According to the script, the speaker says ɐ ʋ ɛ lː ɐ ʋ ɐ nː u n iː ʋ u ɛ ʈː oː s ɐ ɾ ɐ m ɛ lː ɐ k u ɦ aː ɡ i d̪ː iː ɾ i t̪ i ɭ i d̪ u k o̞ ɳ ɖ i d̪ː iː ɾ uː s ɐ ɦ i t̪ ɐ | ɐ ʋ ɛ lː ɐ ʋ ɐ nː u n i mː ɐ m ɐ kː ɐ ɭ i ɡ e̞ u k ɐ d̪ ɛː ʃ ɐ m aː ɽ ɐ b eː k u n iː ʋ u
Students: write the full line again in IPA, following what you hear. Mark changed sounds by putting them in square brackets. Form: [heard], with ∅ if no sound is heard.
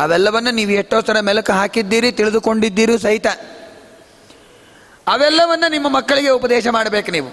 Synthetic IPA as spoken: ɐ ʋ ɛ lː ɐ ʋ ɐ nː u n iː ʋ u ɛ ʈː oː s ɐ ɾ ɐ m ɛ [l] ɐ k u ɦ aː [k] i d̪ː iː ɾ i t̪ i ɭ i d̪ u k o̞ ɳ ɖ i d̪ː iː ɾ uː s ɐ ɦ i t̪ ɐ | ɐ ʋ ɛ lː ɐ ʋ ɐ nː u n i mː ɐ m ɐ kː ɐ ɭ i ɡ e̞ u [p] ɐ d̪ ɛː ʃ ɐ m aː ɽ ɐ b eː k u n iː ʋ u